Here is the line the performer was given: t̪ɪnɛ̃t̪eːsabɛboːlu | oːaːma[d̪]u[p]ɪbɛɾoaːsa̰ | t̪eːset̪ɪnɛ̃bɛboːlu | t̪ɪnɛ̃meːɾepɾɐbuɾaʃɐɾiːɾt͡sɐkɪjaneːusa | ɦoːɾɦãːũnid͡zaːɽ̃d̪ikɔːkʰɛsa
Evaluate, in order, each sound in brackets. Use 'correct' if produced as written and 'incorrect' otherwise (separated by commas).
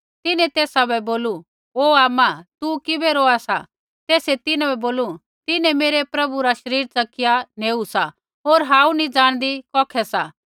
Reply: incorrect, incorrect